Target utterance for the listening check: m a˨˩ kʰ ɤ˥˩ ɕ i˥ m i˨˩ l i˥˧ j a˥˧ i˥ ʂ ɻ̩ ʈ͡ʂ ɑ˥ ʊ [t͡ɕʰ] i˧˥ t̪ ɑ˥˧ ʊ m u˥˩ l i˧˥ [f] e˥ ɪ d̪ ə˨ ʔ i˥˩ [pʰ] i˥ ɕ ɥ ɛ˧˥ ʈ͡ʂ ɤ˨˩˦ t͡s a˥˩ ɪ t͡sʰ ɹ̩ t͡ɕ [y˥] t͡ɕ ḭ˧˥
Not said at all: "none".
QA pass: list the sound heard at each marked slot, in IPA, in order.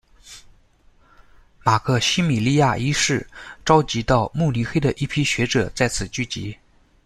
t͡ɕ, x, pʰ, y˥˩

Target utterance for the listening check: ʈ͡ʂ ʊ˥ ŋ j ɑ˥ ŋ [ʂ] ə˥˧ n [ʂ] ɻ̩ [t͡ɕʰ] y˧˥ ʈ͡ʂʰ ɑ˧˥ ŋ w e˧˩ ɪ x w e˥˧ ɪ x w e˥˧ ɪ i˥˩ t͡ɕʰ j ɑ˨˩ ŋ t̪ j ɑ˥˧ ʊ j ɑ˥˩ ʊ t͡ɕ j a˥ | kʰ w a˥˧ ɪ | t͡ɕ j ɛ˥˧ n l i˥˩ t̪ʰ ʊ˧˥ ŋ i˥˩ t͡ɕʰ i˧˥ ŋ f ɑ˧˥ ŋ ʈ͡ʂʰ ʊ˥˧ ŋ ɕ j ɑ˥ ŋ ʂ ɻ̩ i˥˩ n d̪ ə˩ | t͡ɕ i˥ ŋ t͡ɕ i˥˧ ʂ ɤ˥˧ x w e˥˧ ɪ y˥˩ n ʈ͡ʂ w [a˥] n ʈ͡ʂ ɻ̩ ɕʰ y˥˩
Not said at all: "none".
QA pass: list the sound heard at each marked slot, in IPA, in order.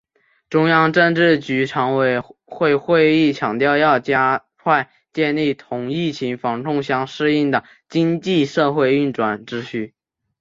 ʈ͡ʂ, ʈ͡ʂ, t͡ɕ, a˨˩

